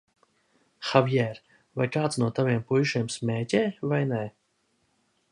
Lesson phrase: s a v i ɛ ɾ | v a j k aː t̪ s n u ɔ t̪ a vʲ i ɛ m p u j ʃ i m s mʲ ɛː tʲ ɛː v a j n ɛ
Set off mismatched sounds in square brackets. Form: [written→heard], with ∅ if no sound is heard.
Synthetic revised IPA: [s→x] a v [i→j] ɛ ɾ | v a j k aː t̪ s n u ɔ t̪ a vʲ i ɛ m p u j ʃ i m s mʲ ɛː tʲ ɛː v a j n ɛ